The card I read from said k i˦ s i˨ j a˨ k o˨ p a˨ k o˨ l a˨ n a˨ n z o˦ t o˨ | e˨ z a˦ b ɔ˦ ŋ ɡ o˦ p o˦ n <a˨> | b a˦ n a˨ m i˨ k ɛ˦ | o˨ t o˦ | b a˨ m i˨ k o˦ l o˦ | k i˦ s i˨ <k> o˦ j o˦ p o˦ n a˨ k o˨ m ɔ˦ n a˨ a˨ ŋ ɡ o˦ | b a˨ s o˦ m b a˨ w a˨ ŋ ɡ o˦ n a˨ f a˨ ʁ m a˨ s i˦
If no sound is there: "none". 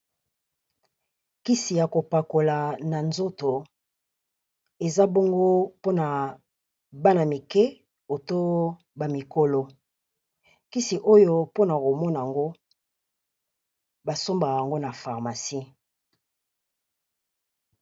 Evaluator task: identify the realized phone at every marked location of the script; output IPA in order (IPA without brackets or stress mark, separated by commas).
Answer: a˨, ʔ